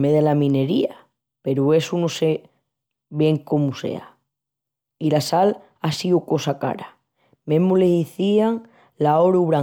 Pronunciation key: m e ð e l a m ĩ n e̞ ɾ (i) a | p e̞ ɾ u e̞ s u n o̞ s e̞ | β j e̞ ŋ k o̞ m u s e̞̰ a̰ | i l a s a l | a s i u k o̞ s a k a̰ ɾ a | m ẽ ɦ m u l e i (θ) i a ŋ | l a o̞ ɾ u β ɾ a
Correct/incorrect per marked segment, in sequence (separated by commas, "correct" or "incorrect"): correct, correct